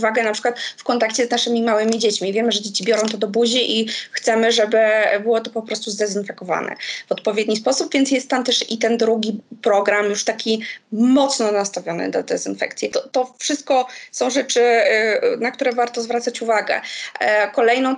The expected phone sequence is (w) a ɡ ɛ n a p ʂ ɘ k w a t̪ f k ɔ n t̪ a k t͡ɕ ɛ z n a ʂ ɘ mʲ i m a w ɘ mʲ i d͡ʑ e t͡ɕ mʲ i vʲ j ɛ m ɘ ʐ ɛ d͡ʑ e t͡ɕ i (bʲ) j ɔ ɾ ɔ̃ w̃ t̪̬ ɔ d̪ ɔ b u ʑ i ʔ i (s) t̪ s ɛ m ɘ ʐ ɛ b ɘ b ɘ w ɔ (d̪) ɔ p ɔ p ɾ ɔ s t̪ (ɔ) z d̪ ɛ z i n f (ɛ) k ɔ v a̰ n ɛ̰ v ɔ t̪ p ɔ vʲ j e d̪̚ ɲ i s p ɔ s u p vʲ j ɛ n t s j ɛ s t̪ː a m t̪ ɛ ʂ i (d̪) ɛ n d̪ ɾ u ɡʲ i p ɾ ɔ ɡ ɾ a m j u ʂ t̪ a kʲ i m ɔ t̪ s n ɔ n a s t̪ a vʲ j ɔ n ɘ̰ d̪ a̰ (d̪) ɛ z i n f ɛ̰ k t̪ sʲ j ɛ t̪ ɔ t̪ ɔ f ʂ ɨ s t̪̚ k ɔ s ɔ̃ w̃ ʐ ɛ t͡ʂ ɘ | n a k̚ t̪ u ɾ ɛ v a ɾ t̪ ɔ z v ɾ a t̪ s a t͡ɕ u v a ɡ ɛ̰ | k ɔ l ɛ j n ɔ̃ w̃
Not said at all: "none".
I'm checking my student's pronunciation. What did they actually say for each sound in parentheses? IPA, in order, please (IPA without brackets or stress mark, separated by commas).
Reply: v, bʲ, x, t̪, u, ɛ, t̪, d̪